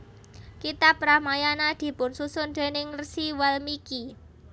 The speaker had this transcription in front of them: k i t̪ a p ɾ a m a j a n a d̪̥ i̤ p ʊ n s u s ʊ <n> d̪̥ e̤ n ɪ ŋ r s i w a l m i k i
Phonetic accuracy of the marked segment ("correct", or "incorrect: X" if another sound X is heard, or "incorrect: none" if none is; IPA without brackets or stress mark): correct